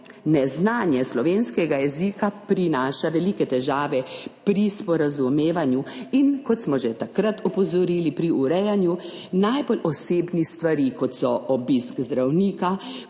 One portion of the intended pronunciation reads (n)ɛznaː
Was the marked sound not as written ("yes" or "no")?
no